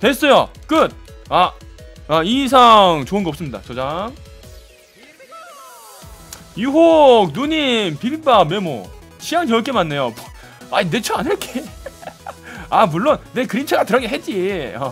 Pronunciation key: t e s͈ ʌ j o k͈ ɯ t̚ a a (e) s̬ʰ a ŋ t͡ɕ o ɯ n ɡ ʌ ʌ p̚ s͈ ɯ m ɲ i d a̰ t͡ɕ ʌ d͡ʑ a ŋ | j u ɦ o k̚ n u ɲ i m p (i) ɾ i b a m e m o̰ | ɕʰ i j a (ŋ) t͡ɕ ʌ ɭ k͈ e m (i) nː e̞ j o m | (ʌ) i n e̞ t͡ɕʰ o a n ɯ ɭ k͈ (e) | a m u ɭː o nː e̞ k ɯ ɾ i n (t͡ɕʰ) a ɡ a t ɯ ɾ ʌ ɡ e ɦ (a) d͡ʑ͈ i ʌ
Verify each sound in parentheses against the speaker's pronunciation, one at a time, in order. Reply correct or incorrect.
incorrect, correct, correct, incorrect, incorrect, correct, correct, incorrect

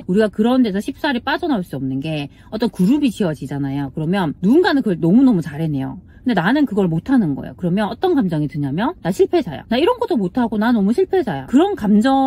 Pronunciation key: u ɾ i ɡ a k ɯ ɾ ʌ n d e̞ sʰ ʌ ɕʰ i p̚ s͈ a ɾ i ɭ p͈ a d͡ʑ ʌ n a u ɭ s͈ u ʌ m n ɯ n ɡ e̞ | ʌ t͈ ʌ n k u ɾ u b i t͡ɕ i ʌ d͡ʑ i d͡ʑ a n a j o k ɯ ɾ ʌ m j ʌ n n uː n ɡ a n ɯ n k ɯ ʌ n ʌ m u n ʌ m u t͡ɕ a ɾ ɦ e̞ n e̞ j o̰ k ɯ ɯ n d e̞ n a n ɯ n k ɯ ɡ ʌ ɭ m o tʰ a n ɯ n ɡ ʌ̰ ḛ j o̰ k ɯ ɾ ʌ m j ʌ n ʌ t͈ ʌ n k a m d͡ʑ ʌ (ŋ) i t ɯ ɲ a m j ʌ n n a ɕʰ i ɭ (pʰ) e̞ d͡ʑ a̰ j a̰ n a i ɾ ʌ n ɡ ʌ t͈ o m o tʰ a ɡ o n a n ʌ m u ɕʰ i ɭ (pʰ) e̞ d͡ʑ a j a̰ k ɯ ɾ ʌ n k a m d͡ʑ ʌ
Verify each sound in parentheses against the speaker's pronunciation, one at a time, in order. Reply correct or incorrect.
correct, correct, correct

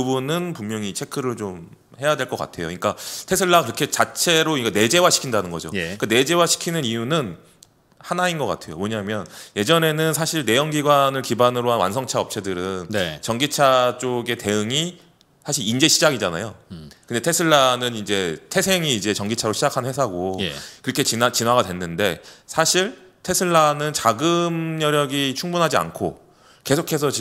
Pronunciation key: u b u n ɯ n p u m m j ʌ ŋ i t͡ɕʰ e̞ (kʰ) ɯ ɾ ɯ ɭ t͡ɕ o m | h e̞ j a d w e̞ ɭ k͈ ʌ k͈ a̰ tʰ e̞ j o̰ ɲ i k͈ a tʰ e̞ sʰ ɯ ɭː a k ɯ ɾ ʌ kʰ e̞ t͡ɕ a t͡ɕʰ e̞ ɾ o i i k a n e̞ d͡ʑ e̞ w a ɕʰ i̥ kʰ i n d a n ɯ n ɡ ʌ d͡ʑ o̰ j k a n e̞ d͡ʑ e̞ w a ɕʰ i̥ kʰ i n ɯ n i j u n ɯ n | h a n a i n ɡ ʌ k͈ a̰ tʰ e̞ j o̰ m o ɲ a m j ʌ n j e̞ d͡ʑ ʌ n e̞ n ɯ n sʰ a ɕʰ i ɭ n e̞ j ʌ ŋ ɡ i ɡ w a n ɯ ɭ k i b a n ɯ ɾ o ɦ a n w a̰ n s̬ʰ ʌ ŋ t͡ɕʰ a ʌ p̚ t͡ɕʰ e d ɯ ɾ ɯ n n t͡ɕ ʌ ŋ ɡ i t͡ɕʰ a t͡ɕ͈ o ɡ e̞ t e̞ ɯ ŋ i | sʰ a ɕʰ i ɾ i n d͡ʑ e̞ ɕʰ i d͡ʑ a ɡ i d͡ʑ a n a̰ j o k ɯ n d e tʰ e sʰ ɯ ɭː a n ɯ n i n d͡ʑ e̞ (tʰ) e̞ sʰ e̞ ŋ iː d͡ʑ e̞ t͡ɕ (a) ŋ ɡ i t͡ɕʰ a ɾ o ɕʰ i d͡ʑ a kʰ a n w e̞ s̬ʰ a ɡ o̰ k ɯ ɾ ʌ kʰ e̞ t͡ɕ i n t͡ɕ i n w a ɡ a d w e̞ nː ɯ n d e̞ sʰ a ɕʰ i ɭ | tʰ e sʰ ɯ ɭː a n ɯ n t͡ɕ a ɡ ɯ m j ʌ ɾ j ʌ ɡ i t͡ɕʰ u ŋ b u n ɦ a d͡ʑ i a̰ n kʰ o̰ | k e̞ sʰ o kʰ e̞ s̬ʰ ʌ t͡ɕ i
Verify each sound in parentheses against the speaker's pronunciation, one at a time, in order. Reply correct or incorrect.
correct, correct, incorrect

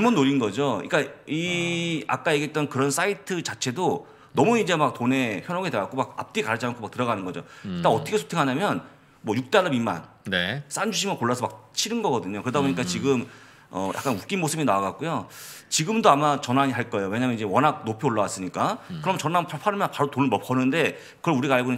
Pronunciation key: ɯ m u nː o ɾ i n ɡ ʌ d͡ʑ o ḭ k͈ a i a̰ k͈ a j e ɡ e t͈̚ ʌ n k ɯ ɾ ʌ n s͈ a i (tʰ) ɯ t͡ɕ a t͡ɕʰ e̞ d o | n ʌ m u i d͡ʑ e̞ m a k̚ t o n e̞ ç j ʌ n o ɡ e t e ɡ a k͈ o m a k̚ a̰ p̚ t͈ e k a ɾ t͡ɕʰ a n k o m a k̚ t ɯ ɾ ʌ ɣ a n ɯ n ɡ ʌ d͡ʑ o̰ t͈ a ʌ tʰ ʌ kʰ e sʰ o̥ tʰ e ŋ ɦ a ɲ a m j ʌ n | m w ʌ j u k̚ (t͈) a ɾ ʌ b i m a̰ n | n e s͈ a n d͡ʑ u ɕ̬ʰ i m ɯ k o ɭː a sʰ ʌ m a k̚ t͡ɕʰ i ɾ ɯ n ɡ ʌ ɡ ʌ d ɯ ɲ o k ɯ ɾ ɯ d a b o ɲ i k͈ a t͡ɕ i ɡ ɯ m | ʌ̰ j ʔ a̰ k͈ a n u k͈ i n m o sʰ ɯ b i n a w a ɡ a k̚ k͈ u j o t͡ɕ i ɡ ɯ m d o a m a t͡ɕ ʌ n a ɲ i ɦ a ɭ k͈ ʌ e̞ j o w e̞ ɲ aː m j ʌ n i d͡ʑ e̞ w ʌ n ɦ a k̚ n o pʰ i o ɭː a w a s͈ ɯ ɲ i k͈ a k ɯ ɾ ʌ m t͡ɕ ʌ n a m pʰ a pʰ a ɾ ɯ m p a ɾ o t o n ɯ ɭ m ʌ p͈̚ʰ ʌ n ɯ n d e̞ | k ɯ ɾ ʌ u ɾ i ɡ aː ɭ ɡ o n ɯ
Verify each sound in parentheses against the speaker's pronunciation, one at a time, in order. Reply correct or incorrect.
correct, correct

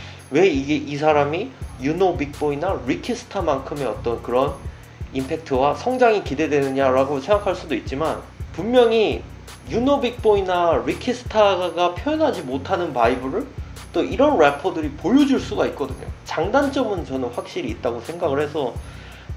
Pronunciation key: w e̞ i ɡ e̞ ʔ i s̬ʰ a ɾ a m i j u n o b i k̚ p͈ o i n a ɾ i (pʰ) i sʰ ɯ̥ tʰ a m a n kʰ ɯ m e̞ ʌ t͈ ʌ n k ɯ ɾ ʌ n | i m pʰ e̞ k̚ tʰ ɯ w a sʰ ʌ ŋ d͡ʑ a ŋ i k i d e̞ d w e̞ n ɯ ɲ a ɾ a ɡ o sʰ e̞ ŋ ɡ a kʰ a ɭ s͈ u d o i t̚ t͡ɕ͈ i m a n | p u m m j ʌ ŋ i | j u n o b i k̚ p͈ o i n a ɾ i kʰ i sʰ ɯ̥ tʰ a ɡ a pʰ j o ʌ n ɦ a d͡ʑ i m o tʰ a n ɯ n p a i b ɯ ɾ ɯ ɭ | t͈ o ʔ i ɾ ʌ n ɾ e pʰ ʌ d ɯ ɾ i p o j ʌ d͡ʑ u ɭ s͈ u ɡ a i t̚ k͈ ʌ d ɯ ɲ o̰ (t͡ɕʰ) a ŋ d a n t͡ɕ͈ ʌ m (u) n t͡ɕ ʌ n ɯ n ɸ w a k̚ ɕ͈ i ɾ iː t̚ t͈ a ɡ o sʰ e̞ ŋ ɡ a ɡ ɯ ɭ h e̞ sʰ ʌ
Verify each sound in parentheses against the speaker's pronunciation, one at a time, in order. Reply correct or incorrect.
incorrect, incorrect, incorrect

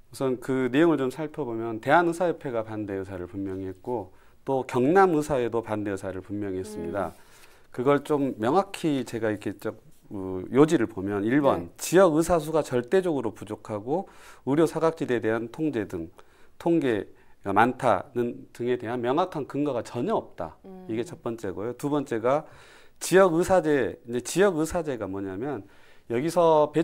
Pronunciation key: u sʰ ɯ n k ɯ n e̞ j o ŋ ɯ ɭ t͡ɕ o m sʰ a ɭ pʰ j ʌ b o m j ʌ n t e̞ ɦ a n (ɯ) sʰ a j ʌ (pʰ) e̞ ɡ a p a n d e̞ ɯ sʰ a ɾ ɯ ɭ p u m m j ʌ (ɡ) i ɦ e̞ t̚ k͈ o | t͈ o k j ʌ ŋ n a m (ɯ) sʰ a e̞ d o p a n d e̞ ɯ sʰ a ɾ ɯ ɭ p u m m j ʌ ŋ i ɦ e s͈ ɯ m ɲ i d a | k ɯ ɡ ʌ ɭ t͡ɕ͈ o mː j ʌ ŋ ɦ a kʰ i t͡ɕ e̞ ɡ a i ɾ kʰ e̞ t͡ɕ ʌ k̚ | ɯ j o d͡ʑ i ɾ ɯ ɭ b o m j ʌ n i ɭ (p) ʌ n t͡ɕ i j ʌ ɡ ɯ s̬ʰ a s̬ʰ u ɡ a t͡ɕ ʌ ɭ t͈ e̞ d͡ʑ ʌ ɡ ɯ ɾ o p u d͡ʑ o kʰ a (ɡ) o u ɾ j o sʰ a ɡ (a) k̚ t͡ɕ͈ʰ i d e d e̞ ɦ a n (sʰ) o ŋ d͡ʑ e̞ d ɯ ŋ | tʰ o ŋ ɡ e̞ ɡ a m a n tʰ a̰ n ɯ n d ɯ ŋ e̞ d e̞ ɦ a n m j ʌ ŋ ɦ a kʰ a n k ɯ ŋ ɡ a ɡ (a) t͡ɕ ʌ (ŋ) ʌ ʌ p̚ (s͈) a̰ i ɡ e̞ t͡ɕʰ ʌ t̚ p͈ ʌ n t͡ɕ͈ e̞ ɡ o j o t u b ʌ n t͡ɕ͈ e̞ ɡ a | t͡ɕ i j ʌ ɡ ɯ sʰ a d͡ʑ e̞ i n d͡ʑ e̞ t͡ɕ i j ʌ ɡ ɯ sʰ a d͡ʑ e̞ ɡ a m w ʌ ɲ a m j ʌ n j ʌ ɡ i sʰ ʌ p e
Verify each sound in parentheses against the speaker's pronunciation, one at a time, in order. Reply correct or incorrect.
correct, correct, incorrect, correct, incorrect, correct, correct, incorrect, correct, incorrect, incorrect

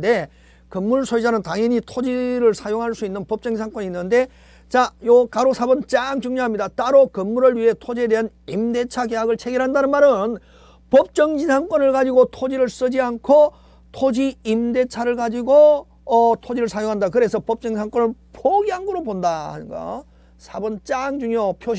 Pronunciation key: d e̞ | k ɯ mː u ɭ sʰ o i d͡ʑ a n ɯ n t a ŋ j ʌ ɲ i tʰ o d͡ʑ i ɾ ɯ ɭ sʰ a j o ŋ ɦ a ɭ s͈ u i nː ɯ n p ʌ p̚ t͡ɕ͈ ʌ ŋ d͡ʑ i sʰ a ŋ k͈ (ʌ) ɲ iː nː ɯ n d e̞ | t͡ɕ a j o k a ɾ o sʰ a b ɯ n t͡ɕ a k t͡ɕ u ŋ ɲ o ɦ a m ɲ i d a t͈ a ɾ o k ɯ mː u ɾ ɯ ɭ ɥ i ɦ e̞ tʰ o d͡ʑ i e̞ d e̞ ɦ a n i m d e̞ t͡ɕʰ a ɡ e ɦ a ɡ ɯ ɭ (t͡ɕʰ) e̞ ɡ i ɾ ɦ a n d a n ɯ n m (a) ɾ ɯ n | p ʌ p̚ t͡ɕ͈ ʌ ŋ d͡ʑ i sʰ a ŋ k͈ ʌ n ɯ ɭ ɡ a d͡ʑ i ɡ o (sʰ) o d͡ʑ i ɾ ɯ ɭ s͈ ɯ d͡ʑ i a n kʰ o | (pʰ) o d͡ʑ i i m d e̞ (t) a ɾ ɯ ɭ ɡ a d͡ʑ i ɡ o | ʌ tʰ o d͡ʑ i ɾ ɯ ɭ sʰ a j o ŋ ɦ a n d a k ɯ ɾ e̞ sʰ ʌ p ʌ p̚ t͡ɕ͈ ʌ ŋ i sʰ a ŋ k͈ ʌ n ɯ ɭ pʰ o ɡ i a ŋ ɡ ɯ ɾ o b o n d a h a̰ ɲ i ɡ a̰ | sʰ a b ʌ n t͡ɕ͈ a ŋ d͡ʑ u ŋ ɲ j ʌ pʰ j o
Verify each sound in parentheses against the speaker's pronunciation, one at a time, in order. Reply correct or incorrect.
correct, correct, correct, incorrect, incorrect, incorrect

